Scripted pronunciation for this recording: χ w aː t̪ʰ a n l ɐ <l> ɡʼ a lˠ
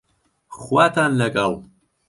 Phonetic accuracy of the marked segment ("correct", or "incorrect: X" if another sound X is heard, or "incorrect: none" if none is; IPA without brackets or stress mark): incorrect: none